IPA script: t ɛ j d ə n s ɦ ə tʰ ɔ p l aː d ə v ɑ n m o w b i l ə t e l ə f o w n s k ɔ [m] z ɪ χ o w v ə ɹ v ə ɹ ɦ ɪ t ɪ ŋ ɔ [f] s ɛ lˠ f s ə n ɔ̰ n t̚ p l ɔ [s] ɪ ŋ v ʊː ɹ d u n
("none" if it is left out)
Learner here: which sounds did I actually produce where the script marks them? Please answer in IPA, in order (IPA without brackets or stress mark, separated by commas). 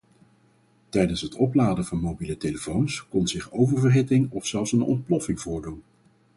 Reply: n, f, f